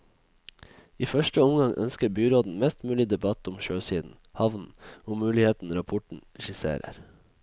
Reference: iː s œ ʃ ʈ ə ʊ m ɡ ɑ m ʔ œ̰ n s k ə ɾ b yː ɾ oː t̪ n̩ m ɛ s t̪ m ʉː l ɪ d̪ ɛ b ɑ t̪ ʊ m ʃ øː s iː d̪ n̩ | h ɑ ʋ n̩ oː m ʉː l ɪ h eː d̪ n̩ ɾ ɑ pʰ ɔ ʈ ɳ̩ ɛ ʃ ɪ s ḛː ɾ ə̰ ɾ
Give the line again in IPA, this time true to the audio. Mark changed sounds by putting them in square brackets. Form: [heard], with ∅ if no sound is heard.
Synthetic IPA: iː [f] œ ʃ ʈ ə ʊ m ɡ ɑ [ŋ] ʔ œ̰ n s k ə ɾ b yː ɾ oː [d̪] n̩ m ɛ s t̪ m ʉː l ɪ d̪ ɛ b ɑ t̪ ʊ m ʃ øː s iː d̪ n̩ | h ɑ ʋ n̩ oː m ʉː l ɪ h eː [t̪] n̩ ɾ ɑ pʰ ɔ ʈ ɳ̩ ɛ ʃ ɪ s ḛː ɾ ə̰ ɾ